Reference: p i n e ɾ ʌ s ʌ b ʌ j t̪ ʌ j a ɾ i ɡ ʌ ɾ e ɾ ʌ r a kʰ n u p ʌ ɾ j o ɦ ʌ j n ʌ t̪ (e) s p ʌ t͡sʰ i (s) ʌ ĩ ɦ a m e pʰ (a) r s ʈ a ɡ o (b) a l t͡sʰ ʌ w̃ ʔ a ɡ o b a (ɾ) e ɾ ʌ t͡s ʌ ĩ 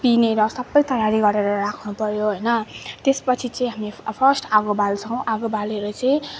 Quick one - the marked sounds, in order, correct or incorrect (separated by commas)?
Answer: correct, incorrect, incorrect, correct, incorrect